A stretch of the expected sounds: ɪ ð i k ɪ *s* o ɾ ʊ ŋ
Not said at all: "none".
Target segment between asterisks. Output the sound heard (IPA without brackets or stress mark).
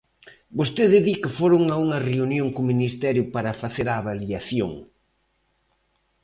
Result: f